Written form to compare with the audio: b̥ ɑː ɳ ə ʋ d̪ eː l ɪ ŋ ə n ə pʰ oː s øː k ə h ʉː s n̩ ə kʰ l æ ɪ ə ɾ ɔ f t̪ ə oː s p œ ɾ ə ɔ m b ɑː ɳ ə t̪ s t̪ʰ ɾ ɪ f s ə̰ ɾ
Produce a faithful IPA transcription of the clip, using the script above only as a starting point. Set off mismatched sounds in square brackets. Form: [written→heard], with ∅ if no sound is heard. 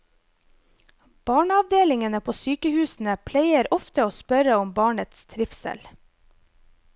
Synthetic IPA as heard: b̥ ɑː ɳ [ə→ɑ] ʋ d̪ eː l ɪ ŋ ə n ə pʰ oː s [øː→yː] k ə h ʉː s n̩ ə [kʰ→pʰ] l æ ɪ ə ɾ ɔ f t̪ ə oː s p œ ɾ ə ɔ m b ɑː ɳ ə t̪ s t̪ʰ ɾ ɪ f s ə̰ [ɾ→l]